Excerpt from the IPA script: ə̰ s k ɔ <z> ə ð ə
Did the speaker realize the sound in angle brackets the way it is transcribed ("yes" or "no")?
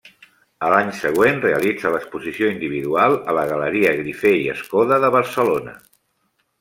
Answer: no